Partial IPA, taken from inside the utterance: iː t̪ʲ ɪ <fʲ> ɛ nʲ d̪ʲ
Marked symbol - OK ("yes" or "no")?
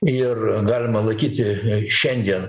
no